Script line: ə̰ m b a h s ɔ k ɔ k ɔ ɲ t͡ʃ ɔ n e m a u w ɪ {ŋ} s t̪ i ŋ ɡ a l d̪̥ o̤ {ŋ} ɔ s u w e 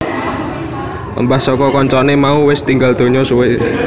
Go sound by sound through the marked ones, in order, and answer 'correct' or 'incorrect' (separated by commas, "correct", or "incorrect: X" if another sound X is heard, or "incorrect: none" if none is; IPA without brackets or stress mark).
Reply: incorrect: none, incorrect: ɲ